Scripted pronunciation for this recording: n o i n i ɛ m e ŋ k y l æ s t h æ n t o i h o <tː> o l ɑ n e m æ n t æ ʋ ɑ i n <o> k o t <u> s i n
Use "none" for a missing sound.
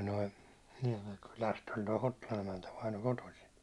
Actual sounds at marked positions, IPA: tː, o, o

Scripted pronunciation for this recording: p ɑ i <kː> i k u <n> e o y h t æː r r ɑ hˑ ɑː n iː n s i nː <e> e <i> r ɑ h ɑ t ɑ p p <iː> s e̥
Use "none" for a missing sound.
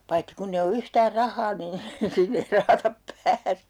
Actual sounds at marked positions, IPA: tː, nː, e, i, æː

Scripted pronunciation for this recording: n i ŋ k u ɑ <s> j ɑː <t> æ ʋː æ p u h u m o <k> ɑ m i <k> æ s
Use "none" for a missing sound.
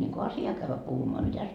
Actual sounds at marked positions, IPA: s, k, none, t

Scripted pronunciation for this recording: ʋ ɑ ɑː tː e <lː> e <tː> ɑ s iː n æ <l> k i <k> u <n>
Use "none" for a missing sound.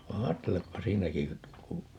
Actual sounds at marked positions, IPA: l, pː, none, k, none

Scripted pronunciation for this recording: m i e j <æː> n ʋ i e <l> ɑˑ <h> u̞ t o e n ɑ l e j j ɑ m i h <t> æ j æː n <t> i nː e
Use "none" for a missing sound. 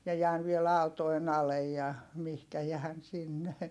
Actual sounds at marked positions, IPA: æː, l, none, k, s

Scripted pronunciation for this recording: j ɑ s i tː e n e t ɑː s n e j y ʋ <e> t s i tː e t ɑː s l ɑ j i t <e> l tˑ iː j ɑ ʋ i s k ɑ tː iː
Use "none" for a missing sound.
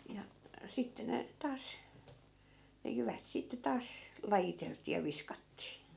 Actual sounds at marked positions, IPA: æ, e

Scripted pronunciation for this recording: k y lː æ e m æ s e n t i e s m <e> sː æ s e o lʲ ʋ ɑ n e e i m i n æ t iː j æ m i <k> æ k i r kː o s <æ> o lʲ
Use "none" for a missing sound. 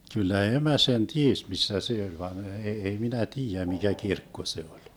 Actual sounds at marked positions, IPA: i, k, e

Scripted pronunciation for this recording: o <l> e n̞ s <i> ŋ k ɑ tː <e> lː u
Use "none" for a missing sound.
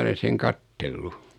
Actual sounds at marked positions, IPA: l, e, e

